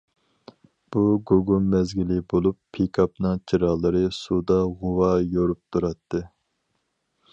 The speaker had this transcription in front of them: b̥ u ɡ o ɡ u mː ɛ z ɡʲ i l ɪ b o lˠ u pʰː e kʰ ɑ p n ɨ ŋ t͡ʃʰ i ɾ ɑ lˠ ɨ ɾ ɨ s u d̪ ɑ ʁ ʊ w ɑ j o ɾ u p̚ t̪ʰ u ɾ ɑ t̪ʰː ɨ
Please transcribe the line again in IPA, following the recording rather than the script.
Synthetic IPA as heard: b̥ u ɡ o ɡ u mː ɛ z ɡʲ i l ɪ b o lˠ u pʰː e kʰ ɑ p n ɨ ŋ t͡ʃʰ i ɾ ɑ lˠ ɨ ɾ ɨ s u d̪ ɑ ʁ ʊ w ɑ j o ɾ u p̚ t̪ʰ u ɾ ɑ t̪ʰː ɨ